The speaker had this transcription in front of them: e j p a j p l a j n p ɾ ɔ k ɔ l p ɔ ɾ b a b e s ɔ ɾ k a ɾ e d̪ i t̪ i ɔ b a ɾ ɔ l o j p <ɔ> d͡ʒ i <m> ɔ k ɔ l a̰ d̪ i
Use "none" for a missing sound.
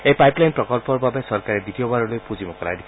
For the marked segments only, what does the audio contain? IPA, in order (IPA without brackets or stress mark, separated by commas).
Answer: u, m